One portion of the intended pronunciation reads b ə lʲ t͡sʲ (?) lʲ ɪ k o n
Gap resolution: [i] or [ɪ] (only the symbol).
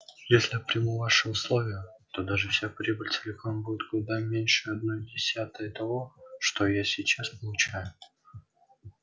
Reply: ɪ